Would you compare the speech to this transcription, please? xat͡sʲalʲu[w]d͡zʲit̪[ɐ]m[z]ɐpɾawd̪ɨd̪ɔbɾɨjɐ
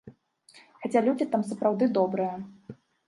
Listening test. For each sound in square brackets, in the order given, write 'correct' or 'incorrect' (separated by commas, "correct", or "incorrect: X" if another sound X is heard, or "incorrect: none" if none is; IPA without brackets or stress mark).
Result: incorrect: none, incorrect: a, incorrect: s